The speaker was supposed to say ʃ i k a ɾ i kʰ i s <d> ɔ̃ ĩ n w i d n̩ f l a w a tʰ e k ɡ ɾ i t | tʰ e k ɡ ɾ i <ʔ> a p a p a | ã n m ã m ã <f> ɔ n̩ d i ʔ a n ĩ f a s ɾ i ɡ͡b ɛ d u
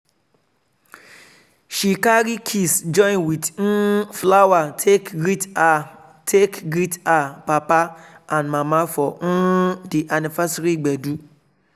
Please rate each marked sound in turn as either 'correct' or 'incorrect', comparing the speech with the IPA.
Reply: incorrect: d͡ʒ, incorrect: t, correct

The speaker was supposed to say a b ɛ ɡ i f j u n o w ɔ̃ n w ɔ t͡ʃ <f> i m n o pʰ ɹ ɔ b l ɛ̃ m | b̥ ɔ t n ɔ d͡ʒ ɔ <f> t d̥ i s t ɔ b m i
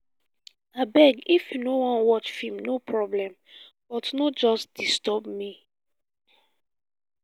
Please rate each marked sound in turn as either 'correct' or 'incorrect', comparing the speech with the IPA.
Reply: correct, incorrect: s

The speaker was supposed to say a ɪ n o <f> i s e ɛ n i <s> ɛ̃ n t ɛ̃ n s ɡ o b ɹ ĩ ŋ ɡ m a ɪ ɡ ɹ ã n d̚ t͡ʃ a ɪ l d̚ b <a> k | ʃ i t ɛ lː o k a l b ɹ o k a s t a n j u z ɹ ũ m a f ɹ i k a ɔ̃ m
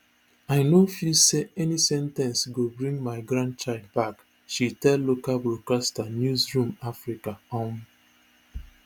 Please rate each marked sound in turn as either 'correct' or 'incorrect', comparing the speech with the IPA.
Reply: correct, correct, correct

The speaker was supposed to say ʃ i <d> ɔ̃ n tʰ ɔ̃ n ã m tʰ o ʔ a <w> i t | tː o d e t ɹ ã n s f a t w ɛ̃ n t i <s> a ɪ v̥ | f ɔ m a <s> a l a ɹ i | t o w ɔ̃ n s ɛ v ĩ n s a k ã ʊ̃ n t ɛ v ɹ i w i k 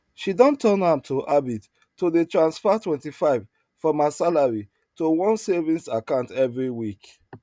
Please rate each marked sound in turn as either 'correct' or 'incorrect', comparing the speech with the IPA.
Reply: correct, incorrect: b, incorrect: f, correct

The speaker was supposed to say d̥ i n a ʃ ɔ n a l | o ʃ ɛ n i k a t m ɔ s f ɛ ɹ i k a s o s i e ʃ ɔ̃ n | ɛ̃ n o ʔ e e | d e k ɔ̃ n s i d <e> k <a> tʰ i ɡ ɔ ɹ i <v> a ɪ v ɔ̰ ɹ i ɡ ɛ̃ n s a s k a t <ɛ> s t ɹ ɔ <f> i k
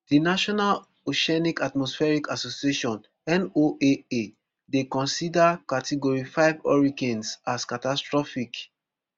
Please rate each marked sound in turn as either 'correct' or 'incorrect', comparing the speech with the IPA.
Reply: incorrect: a, correct, incorrect: f, incorrect: a, correct

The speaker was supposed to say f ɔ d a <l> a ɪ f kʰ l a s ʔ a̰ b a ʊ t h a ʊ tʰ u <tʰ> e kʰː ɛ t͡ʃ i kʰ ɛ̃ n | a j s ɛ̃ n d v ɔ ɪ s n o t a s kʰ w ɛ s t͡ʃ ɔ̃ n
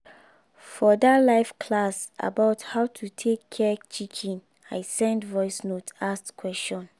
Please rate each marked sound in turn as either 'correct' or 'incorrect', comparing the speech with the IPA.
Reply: correct, correct

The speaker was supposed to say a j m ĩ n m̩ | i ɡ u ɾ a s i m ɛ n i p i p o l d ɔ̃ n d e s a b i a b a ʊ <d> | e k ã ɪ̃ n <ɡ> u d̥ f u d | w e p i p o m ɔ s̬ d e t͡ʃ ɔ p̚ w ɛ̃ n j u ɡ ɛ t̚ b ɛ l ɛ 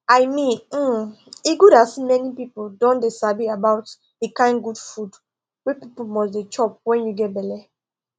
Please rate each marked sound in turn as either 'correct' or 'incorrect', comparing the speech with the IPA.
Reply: incorrect: t, correct

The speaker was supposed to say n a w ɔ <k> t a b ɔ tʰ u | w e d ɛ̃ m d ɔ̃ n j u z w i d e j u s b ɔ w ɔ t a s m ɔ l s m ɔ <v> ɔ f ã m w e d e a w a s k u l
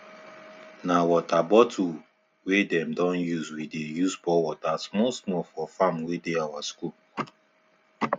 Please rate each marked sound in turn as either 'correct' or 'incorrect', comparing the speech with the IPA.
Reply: incorrect: none, incorrect: f

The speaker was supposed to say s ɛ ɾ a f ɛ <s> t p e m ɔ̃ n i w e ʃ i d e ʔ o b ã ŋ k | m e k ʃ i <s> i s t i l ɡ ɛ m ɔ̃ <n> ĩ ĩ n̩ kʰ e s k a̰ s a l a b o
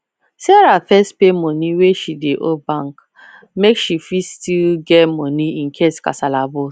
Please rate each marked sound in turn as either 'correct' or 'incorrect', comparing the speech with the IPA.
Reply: correct, incorrect: f, correct

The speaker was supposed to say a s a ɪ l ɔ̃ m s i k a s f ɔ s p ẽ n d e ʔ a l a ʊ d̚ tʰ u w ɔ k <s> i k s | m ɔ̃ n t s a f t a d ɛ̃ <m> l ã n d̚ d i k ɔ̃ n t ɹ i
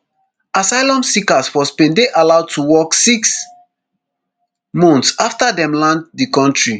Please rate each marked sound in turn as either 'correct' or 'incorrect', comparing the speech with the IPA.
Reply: correct, correct

